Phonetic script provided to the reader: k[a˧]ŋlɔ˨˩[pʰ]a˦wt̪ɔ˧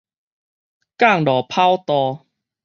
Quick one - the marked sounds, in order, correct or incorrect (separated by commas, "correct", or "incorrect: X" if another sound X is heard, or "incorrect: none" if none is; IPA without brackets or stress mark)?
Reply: incorrect: a˥˨, correct